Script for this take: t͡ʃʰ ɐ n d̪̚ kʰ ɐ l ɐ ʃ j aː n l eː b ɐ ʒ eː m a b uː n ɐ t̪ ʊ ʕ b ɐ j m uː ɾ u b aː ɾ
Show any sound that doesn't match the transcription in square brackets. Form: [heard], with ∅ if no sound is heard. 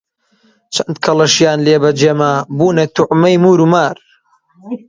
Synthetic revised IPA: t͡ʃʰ ɐ n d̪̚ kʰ ɐ l ɐ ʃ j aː n l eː b ɐ [d͡ʒ] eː m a b uː n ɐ t̪ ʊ ʕ [m] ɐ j m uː ɾ u [m] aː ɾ